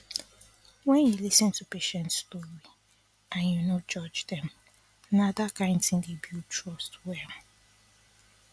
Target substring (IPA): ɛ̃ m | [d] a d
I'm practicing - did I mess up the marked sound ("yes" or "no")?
yes